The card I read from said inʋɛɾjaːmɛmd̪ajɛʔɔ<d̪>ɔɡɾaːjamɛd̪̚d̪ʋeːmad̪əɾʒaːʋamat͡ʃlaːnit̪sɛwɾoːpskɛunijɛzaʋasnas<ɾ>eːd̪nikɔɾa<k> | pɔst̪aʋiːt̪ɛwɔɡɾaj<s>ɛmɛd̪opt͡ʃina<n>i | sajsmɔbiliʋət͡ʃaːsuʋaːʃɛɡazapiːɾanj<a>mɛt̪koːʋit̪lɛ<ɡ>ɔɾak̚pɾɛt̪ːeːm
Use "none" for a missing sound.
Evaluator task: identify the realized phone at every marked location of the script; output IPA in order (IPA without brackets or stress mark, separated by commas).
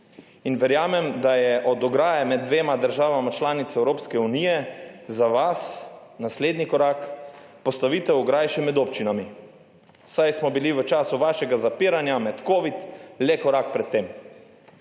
d̪, l, k, ʃ, m, a, k